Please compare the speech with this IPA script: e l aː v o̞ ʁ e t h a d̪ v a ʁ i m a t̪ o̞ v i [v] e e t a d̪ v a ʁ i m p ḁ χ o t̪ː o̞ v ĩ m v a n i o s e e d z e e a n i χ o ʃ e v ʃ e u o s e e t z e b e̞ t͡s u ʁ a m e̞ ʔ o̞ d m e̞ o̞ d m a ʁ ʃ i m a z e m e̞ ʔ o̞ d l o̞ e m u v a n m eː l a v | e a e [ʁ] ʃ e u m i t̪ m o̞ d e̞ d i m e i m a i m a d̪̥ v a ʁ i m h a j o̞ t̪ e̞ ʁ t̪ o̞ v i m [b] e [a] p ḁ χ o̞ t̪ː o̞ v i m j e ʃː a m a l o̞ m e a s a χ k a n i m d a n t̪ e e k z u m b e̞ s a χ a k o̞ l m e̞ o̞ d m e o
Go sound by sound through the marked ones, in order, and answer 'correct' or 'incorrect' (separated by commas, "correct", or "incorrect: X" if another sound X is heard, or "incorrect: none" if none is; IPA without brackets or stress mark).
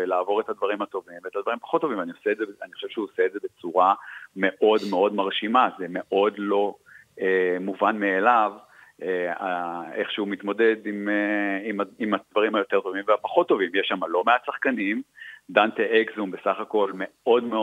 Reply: correct, incorrect: χ, incorrect: v, correct